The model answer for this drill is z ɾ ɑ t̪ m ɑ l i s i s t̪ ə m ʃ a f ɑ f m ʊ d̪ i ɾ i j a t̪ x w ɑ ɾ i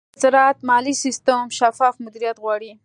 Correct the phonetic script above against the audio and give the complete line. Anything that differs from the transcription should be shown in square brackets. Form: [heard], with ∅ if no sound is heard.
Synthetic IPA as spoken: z ɾ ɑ t̪ m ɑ l i s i s t̪ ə m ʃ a f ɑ f m ʊ d̪ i ɾ i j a t̪ [ɣ] w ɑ [ɽ] i